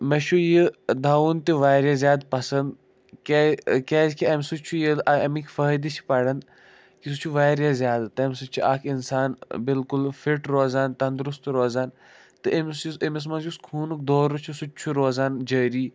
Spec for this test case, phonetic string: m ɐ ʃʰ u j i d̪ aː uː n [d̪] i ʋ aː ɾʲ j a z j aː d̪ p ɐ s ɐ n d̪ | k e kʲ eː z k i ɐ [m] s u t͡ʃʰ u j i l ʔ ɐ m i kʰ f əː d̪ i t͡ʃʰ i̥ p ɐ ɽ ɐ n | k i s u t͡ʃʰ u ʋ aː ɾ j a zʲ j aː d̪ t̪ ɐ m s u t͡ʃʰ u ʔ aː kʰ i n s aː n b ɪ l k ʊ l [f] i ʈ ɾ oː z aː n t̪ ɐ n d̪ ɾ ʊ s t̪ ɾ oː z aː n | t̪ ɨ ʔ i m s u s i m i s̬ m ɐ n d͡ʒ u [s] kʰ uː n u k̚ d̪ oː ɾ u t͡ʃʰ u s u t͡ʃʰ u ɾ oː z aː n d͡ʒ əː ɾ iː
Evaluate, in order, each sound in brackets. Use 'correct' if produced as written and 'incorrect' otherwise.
incorrect: t̪, correct, correct, correct

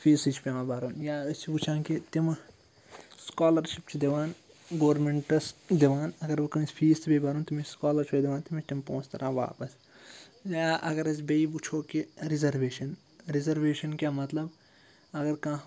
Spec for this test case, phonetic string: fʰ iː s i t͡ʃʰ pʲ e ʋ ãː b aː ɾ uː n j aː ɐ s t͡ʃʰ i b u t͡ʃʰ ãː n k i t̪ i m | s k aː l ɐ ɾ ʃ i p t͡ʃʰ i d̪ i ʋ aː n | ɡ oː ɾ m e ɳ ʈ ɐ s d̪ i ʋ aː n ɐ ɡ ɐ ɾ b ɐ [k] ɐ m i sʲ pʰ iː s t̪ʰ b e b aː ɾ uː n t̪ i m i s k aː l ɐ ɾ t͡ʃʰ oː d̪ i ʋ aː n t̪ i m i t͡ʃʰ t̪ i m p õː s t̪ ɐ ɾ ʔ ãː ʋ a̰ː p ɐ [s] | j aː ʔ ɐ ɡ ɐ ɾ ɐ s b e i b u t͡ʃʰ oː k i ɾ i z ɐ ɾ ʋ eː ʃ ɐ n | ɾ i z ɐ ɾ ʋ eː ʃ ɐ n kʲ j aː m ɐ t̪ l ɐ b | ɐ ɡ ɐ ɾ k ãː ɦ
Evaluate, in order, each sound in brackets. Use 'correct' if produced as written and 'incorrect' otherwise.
correct, correct

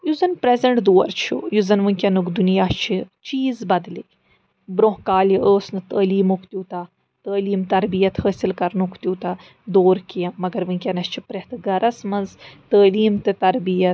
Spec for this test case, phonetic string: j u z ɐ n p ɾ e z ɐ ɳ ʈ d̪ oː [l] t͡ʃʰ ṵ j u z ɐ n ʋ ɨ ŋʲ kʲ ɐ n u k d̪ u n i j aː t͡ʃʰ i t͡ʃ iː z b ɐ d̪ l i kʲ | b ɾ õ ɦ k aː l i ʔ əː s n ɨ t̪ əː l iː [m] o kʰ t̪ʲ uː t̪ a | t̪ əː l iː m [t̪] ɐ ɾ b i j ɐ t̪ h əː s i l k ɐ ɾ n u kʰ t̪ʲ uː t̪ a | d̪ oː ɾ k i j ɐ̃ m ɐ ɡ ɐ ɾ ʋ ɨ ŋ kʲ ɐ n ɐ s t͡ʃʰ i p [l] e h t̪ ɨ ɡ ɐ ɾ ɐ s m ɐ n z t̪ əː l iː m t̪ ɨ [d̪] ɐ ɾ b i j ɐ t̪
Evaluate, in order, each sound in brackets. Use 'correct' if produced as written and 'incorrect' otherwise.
incorrect: ɾ, correct, correct, incorrect: ɾ, incorrect: t̪

